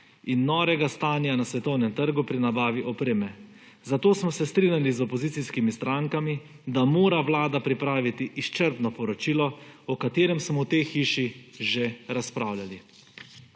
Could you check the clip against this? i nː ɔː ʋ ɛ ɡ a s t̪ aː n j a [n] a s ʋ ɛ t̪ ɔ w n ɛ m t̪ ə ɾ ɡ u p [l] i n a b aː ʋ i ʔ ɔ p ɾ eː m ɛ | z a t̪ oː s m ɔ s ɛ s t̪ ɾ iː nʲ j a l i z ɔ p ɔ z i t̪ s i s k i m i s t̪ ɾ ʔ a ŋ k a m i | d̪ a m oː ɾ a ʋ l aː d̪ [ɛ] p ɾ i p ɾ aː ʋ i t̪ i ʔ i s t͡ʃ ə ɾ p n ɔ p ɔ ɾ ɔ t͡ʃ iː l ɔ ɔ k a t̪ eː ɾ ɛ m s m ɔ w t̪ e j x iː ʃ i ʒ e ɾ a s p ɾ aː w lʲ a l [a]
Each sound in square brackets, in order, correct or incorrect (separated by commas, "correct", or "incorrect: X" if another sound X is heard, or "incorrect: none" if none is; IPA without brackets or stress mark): correct, incorrect: ɾ, incorrect: a, incorrect: i